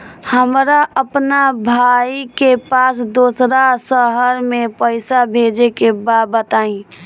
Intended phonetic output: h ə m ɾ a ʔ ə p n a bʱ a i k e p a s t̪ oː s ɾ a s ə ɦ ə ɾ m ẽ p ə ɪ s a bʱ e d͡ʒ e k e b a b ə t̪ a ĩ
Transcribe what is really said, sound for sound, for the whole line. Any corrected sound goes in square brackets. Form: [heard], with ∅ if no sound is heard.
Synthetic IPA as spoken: h ə m ɾ a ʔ ə p n a bʱ a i k e p a s [d̪] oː s ɾ a s ə ɦ ə ɾ m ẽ p ə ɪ s a bʱ e d͡ʒ e k e b a b ə t̪ a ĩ